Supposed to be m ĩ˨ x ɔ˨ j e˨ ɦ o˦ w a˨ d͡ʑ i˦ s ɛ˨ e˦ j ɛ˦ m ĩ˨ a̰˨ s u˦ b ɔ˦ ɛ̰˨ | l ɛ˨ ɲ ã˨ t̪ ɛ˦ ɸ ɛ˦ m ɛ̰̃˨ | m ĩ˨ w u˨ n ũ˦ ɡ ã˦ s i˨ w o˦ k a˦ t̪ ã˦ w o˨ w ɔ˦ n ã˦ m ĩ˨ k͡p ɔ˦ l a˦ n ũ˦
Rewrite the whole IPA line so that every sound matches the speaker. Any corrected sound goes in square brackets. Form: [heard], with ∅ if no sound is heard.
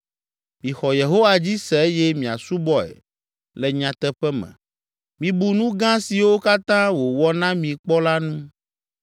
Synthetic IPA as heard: m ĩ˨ x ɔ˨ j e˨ ɦ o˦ w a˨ d͡ʑ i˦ s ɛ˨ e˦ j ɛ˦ m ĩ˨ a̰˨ s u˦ b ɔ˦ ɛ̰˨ | l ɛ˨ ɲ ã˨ t̪ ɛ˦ ɸ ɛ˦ m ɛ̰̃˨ | m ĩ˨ [b] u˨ n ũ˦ ɡ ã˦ s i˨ w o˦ k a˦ t̪ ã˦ w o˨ w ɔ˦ n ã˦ m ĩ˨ k͡p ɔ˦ l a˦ n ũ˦